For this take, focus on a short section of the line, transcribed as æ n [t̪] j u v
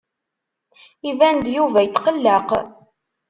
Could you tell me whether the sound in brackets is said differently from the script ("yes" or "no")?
yes